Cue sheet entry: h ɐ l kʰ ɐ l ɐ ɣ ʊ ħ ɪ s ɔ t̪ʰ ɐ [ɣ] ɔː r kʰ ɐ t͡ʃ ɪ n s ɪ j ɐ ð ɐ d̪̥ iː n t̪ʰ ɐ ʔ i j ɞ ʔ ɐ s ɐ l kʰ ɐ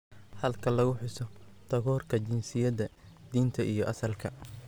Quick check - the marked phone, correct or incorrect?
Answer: correct